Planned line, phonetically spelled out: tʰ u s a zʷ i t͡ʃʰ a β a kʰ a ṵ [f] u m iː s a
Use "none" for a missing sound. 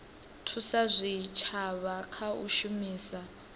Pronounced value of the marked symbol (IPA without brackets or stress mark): ʃ